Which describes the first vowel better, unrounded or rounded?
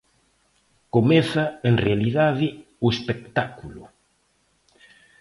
rounded